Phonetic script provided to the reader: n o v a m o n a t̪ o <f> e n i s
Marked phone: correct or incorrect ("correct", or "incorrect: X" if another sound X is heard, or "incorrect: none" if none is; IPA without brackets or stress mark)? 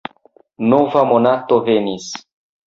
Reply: incorrect: v